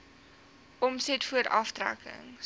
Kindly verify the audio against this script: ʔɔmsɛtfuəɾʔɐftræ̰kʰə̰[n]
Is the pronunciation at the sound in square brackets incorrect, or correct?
incorrect